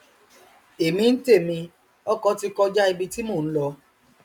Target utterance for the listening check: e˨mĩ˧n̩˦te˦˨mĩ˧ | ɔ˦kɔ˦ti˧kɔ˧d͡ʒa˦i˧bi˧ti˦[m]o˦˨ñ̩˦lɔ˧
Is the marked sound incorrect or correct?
correct